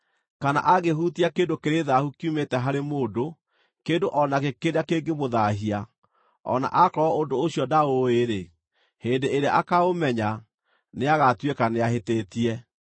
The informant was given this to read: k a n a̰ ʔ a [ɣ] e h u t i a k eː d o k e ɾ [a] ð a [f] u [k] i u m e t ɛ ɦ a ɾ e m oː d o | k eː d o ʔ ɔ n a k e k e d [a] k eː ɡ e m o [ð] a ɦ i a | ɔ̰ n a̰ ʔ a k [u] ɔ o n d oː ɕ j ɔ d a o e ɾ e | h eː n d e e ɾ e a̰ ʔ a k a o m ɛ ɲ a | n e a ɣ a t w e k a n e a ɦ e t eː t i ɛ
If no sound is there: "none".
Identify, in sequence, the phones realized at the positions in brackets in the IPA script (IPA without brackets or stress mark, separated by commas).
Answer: ɣ, e, h, k, a, ð, ɔ